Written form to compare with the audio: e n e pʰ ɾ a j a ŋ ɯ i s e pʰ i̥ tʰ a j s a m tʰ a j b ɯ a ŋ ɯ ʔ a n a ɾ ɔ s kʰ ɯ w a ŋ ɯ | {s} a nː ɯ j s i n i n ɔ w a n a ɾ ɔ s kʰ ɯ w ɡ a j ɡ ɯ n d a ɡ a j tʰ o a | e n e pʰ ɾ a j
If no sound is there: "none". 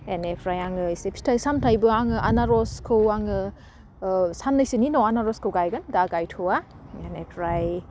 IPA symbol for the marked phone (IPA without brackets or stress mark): s